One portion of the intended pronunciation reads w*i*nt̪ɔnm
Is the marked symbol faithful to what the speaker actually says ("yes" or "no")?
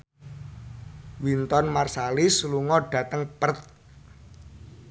yes